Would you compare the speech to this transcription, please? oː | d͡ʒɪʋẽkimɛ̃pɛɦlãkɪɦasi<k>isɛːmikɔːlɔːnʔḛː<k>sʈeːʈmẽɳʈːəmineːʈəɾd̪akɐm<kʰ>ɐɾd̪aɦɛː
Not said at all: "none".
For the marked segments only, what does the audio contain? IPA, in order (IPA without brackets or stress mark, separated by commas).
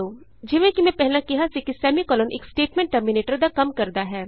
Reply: k, k, k